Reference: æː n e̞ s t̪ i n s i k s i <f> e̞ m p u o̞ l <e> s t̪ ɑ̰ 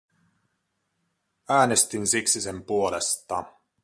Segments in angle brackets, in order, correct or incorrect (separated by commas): incorrect, correct